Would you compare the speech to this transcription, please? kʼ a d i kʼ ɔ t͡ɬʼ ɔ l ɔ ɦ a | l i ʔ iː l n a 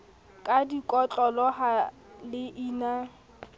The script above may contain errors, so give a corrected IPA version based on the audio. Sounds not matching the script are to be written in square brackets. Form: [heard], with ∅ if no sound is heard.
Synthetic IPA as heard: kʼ a d i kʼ ɔ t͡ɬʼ ɔ l ɔ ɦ a | l [ɪ] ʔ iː [∅] n a